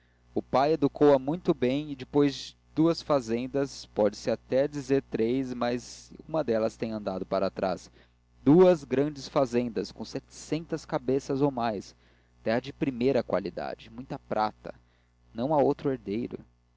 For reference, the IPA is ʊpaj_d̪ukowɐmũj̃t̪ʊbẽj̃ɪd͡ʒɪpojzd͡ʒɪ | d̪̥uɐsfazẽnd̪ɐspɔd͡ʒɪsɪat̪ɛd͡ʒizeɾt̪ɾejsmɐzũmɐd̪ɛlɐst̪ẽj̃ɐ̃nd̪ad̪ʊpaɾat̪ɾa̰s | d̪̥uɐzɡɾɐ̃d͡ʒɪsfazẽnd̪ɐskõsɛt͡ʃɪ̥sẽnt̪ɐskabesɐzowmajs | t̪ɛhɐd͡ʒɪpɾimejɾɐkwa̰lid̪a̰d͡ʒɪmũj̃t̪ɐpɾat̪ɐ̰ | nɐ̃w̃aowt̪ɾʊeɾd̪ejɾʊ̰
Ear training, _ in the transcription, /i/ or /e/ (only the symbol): e